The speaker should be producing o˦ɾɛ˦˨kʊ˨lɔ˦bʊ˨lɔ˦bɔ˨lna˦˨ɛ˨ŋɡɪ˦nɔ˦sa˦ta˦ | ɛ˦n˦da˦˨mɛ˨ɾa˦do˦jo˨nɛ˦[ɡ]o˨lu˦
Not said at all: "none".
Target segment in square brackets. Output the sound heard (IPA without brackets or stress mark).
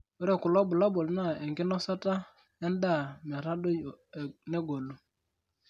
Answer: ɡ